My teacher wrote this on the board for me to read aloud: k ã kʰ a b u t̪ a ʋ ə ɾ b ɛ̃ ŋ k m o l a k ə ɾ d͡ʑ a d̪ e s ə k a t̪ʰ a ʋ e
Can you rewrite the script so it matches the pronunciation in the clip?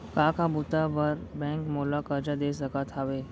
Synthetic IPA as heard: k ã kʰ a b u t̪ a ʋ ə ɾ b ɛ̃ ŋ k m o l a k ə ɾ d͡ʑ a d̪ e s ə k a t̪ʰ a ʋ e